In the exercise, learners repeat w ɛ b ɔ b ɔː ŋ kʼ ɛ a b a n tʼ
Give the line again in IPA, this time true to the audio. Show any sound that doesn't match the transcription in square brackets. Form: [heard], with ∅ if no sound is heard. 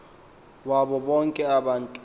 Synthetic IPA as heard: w [a] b ɔ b [ɔ] ŋ kʼ ɛ a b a n tʼ